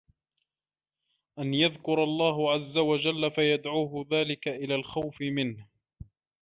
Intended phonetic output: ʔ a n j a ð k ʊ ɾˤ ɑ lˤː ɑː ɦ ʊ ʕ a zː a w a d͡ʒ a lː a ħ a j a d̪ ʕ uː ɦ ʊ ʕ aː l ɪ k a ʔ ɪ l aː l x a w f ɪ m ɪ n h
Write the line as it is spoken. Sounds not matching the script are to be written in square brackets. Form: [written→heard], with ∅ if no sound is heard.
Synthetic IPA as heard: ʔ a n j a ð k ʊ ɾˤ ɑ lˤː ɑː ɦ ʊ ʕ a zː a w a d͡ʒ a lː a [ħ→f] a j a d̪ ʕ uː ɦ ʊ [ʕ→ð] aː l ɪ k a ʔ ɪ l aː l x a w f ɪ m ɪ n h